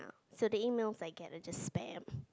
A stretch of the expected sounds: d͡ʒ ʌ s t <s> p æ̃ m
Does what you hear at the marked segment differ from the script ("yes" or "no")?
no